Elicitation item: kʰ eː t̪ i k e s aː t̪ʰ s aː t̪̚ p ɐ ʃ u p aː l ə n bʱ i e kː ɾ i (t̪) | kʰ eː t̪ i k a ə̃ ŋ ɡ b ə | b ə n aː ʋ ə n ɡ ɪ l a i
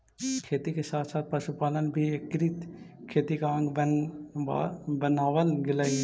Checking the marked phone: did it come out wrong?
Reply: no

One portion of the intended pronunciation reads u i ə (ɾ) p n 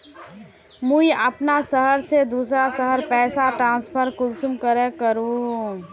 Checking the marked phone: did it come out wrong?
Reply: yes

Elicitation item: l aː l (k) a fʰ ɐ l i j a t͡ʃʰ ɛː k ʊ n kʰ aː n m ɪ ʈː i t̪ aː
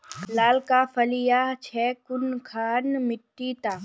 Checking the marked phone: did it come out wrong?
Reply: no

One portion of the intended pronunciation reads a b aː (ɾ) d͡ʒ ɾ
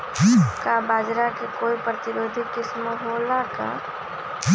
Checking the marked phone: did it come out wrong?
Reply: yes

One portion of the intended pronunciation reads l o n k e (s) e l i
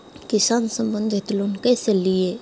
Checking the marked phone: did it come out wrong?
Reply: no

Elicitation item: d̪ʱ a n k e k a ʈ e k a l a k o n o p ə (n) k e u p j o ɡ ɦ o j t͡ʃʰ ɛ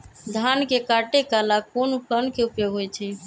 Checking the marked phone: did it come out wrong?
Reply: no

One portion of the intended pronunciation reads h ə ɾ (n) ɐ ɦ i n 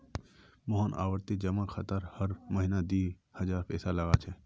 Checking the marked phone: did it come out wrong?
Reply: yes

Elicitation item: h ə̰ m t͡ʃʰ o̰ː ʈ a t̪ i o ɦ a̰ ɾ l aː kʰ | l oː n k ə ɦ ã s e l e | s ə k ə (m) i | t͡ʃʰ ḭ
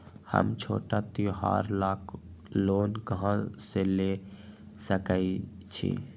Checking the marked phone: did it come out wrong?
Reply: yes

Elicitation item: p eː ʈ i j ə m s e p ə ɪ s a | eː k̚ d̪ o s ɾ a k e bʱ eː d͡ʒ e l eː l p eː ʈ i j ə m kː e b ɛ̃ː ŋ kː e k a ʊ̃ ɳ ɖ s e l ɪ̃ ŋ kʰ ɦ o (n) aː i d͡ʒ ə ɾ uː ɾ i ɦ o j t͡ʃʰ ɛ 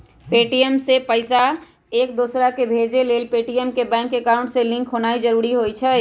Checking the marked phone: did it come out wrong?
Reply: no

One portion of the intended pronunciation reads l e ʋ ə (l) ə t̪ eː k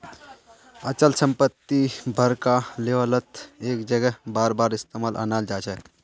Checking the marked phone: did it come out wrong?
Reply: no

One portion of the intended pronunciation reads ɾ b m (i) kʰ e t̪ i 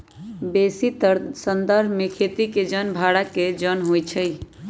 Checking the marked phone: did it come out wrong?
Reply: yes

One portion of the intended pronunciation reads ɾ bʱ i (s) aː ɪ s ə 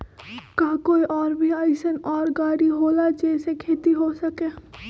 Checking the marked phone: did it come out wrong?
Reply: yes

